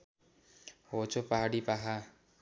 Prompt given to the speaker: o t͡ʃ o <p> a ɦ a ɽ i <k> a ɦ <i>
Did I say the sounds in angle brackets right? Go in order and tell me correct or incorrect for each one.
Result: correct, incorrect: p, incorrect: a

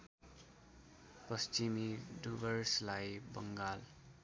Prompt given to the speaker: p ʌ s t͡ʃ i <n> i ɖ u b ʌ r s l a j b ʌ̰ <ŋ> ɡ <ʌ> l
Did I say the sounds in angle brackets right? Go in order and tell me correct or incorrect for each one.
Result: incorrect: m, correct, incorrect: a

